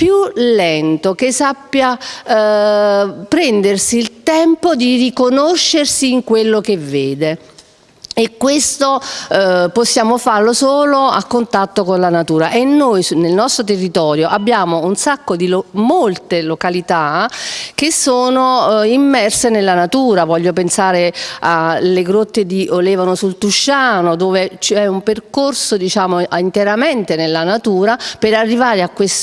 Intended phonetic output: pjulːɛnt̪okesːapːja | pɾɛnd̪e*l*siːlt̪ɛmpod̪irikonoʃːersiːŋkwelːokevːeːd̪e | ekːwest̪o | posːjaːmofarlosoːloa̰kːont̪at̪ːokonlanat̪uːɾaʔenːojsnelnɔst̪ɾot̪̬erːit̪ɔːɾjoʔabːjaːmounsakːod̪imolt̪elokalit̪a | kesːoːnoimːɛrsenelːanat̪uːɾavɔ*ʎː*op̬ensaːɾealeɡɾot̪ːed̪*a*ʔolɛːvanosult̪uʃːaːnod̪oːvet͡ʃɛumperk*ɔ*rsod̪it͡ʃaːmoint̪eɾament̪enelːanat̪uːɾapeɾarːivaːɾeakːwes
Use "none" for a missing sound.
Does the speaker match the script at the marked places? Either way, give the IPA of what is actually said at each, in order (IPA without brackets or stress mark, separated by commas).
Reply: r, ʎː, i, o